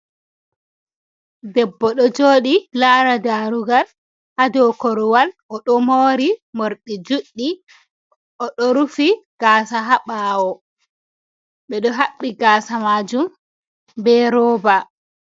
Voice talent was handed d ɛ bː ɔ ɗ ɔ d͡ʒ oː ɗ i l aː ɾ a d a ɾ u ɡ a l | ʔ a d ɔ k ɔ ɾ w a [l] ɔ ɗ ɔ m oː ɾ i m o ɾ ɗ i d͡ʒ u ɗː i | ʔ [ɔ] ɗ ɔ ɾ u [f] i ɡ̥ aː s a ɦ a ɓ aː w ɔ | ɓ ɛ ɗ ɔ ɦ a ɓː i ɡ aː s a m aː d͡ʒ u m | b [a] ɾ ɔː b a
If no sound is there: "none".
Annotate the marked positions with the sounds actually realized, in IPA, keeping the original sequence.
l, ɔ, f, ɛ

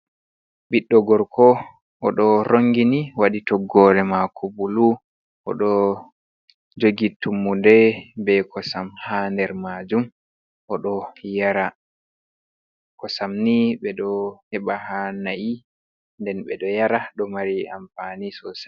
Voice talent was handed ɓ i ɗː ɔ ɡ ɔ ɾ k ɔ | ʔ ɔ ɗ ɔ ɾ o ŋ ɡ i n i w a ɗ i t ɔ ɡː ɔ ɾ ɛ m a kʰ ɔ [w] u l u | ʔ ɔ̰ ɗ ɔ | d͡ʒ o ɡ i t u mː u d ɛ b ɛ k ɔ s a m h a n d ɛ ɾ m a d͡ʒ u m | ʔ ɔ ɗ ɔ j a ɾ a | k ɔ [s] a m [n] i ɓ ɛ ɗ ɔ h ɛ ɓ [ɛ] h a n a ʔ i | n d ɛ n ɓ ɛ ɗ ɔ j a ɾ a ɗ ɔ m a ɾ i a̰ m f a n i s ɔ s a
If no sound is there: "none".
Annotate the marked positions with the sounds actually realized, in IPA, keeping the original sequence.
b, s, n, a

